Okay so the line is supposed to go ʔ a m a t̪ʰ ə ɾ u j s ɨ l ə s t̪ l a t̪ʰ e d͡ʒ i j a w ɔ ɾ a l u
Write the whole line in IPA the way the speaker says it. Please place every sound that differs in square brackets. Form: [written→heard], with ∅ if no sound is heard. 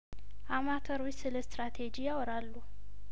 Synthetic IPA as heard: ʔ a m a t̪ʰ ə ɾ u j s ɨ l ə s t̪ [l→ɾ] a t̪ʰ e d͡ʒ i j a w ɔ ɾ a [l→lː] u